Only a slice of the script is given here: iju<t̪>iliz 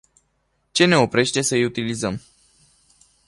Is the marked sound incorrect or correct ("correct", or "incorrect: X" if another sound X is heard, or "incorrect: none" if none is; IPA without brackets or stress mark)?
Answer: correct